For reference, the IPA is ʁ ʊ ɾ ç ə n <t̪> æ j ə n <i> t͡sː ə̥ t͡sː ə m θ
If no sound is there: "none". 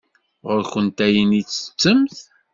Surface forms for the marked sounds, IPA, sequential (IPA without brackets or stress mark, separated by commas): t̪, i